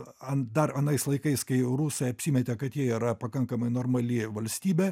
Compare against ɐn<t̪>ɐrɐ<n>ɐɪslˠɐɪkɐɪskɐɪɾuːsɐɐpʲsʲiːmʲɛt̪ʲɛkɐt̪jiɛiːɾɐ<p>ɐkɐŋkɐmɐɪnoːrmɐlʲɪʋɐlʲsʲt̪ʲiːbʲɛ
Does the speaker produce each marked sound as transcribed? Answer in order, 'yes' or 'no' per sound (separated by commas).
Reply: no, yes, yes